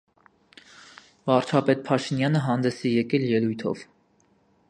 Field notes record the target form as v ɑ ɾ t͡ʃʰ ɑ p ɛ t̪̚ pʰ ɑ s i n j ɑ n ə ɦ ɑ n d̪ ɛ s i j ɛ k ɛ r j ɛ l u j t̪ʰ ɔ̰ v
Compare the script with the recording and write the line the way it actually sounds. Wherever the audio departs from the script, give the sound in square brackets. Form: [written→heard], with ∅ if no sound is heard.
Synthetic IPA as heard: v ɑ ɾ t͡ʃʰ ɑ p ɛ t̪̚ pʰ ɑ [s→ʃ] i n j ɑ n ə ɦ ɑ n d̪ ɛ s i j ɛ k ɛ [r→l] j ɛ l u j t̪ʰ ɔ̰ v